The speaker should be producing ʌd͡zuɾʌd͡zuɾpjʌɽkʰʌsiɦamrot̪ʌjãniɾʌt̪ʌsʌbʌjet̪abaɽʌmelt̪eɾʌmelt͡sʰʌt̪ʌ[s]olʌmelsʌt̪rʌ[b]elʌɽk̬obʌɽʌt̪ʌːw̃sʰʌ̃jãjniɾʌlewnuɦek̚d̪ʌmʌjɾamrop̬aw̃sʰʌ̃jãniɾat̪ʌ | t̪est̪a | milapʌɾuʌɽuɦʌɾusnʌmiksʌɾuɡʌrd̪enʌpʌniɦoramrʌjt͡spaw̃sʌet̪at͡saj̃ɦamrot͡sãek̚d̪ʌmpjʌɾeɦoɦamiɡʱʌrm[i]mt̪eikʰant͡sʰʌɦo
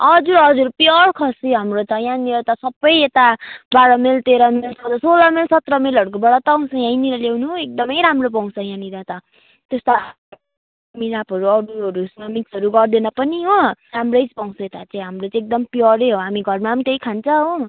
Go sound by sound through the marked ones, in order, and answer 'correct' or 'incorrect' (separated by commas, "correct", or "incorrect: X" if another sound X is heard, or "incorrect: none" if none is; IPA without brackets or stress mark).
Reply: correct, incorrect: m, incorrect: a